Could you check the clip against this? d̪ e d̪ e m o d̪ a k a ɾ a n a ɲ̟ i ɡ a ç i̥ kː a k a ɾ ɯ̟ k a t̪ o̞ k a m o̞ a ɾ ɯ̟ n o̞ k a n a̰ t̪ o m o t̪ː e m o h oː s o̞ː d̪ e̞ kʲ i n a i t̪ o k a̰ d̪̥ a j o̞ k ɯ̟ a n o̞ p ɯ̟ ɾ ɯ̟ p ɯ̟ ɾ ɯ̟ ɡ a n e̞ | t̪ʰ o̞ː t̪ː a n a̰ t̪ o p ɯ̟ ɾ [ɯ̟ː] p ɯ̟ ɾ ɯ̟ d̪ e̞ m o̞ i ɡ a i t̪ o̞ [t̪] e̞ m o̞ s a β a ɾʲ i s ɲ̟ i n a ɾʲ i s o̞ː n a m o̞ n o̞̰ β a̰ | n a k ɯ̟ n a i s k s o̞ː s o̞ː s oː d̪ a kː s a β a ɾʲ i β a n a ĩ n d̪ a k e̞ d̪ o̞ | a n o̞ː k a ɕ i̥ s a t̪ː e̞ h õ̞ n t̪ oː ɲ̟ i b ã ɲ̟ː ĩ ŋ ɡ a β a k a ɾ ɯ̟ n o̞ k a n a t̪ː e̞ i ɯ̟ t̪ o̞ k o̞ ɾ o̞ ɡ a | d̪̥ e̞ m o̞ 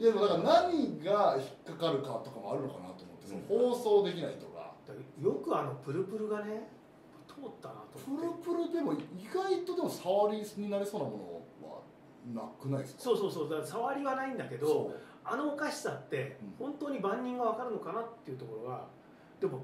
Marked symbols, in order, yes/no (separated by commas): no, no